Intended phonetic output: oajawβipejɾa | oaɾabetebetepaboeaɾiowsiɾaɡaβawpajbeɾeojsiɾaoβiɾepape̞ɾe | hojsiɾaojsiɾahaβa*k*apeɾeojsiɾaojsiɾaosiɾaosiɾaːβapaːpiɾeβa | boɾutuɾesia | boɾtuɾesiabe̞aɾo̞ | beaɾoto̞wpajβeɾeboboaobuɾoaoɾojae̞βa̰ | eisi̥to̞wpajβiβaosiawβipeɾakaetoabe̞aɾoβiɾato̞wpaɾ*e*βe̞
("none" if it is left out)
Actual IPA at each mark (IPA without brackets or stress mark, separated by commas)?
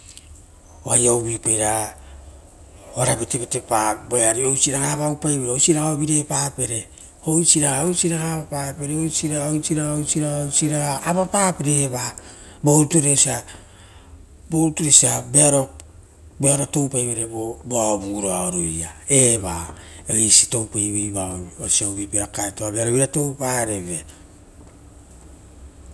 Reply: p, e